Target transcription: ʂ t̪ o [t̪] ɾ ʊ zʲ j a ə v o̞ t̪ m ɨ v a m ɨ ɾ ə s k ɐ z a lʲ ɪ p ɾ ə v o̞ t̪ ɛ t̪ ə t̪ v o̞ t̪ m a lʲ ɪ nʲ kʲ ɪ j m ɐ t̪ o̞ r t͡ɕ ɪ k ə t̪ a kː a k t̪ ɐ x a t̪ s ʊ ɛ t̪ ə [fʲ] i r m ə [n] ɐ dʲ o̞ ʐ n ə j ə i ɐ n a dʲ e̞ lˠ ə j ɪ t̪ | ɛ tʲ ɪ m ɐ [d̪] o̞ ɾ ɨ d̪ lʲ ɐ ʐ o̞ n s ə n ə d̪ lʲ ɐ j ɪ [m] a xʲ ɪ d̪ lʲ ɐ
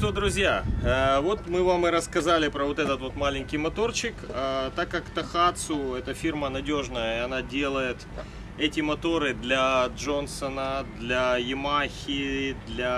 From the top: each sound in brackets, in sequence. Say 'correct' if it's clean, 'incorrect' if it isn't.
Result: incorrect: d̪, correct, correct, incorrect: t̪, correct

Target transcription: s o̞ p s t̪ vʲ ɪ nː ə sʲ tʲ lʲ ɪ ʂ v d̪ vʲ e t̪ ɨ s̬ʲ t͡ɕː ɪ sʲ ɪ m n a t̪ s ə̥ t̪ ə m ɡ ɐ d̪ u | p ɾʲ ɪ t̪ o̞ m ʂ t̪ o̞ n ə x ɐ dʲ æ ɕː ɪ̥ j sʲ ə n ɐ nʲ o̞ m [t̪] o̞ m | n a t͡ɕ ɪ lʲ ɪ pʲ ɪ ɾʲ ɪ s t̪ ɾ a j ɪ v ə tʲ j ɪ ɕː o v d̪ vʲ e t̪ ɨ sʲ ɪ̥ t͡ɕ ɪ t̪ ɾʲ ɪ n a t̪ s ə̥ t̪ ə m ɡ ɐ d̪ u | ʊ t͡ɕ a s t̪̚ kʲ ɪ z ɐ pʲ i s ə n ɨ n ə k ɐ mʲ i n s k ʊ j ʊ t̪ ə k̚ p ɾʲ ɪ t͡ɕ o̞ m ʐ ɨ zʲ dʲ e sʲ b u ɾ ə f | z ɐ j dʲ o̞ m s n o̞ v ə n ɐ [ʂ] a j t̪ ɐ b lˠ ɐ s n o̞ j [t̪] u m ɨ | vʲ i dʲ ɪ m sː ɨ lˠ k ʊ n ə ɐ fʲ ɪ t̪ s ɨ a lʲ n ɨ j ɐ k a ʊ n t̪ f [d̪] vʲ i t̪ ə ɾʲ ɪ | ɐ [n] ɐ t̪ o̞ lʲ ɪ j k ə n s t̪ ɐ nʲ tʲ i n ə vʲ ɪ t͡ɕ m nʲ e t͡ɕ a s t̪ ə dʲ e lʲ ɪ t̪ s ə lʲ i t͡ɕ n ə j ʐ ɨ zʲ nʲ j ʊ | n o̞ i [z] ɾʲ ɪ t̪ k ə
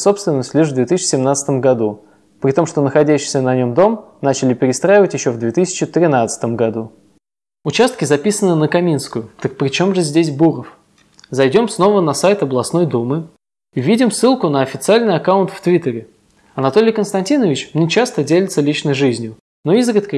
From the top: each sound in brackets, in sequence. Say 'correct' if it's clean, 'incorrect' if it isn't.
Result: incorrect: d̪, incorrect: s, incorrect: d̪, incorrect: t̪, correct, correct

